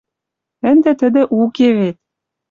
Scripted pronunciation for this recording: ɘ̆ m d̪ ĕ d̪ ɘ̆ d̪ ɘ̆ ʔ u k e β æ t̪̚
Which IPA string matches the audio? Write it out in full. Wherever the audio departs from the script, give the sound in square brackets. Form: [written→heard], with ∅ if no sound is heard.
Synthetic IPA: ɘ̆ [m→n] d̪ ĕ [d̪→t̪] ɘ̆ d̪ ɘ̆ ʔ u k e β [æ→e] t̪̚